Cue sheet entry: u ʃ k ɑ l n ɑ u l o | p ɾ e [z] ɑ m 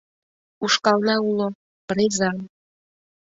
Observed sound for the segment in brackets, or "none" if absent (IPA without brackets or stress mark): z